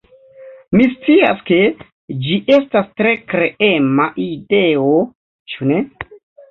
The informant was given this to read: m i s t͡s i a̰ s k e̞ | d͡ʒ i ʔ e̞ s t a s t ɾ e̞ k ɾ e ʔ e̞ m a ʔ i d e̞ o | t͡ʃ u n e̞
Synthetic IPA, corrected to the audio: m i s t͡s i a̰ s k e̞ | d͡ʒ i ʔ e̞ s t a s t ɾ e̞ k ɾ e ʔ e̞ m a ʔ i d e̞ o | t͡ʃ u n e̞